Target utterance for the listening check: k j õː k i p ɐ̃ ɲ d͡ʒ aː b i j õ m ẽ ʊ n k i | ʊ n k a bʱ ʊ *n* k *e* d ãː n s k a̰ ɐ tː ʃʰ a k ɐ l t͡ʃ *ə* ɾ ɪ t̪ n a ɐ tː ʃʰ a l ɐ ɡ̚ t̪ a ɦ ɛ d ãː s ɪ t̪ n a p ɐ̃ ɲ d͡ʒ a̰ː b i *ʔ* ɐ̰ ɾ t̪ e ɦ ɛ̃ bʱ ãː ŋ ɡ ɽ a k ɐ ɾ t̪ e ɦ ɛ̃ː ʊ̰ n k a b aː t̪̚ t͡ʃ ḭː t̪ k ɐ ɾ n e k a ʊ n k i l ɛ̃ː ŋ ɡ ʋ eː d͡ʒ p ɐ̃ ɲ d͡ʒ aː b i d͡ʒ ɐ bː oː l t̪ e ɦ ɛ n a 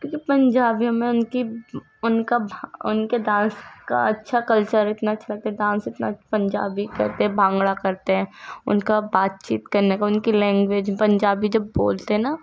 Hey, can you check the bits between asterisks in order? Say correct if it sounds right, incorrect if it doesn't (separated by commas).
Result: correct, correct, correct, incorrect